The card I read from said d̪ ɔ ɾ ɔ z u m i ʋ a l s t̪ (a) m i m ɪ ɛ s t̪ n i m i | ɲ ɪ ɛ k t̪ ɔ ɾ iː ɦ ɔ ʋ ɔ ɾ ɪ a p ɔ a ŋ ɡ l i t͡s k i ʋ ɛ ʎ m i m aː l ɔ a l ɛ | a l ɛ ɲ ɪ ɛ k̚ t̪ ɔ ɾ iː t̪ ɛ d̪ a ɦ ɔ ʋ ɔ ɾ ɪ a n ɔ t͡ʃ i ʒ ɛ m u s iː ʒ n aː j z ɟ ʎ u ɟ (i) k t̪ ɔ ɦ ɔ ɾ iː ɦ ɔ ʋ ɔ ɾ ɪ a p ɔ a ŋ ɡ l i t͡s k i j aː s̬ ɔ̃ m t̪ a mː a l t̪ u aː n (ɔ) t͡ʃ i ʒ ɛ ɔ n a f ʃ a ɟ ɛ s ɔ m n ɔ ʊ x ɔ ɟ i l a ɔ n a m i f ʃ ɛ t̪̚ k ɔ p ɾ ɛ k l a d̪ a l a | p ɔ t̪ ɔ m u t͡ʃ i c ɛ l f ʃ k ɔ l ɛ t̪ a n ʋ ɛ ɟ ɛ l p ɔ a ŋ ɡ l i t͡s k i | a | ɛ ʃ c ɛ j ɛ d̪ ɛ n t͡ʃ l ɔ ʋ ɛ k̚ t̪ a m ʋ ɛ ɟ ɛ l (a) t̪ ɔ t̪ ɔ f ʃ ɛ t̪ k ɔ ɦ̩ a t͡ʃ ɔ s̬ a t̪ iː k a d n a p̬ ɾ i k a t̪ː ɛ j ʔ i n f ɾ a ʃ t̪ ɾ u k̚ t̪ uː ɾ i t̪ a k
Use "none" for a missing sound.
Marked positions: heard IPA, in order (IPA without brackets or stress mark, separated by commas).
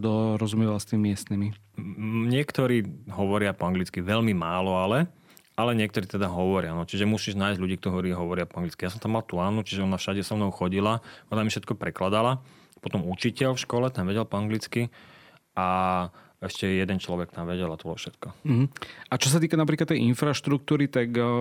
i, iː, u, a